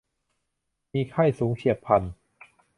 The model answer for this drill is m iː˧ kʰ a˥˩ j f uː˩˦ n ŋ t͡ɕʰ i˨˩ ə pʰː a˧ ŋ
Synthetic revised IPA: m iː˧ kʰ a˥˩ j s uː˩˦ ŋ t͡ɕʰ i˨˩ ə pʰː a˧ n